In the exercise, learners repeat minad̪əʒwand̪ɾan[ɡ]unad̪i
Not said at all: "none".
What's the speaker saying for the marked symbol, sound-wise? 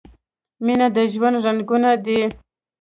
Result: ɡ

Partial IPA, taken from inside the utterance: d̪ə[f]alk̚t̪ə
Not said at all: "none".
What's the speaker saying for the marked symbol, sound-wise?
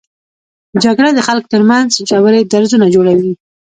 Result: x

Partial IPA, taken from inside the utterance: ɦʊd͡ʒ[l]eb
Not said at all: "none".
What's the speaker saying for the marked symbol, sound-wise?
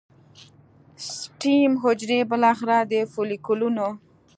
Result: ɾ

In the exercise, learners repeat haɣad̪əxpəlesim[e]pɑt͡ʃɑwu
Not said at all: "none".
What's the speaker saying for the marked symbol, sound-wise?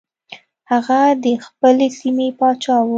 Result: e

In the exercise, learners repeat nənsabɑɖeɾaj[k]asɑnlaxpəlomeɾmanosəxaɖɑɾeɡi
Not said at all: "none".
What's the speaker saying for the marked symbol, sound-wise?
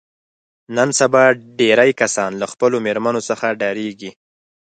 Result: k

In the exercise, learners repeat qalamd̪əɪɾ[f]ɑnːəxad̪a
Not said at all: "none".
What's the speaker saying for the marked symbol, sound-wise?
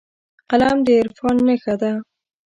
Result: f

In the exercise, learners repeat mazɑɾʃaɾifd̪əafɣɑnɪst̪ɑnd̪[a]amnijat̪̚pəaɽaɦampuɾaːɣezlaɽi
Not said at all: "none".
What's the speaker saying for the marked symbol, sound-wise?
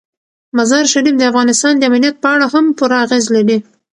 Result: ə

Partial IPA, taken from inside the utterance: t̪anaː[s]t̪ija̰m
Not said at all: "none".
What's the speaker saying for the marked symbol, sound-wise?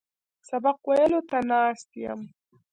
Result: s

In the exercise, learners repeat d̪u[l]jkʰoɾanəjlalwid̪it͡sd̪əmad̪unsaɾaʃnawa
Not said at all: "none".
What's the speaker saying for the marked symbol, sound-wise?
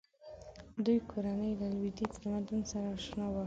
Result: none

